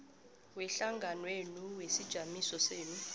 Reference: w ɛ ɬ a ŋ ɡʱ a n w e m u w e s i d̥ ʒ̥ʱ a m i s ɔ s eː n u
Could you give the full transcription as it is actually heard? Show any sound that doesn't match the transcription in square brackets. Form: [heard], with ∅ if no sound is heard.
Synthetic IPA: w ɛ ɬ a ŋ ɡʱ a n w e [n] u w e s i d̥ ʒ̥ʱ a m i s ɔ s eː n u